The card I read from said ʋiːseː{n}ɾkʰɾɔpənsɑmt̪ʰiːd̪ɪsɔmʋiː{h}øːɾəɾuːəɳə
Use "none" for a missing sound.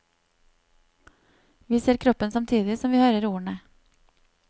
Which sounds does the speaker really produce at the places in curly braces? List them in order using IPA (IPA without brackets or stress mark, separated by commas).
none, h